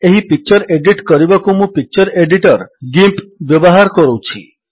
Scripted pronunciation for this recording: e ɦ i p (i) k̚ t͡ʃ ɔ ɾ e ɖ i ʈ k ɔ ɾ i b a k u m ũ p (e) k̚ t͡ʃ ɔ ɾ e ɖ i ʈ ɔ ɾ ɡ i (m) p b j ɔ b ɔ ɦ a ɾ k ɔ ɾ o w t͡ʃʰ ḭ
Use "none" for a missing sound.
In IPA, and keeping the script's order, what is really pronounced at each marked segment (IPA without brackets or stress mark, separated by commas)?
i, i, m